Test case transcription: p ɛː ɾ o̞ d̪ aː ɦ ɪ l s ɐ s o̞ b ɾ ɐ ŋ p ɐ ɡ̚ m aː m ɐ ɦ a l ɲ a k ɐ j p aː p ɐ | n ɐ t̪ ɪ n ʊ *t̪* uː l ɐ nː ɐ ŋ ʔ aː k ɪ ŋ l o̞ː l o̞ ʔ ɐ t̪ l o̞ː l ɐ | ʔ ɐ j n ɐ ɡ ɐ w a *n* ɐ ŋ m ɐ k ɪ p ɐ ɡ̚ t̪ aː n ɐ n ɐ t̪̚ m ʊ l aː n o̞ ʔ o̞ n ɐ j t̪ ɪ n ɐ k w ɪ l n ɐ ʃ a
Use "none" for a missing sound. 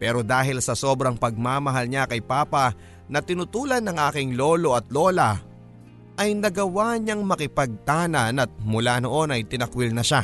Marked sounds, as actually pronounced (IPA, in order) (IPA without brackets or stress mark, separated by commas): t̪, ɲ